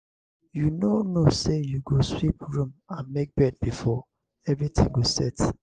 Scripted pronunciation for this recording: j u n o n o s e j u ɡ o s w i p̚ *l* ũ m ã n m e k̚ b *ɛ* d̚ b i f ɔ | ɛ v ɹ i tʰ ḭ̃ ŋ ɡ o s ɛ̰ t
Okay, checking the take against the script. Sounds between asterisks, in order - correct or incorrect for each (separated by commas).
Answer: incorrect, correct